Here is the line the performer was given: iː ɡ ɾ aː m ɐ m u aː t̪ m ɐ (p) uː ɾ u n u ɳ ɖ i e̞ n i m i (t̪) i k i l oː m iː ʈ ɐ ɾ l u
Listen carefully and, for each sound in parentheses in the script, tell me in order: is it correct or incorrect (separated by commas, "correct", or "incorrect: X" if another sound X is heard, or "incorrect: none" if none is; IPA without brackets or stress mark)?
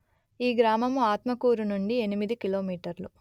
incorrect: k, incorrect: d̪